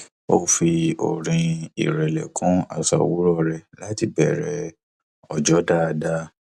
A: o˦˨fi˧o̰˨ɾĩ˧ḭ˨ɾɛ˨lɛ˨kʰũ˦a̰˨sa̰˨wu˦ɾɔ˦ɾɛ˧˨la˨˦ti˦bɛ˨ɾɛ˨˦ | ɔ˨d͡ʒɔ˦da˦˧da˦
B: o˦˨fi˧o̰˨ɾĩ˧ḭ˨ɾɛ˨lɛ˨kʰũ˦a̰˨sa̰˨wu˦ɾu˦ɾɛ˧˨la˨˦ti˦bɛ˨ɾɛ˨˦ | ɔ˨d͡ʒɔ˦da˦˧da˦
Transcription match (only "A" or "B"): A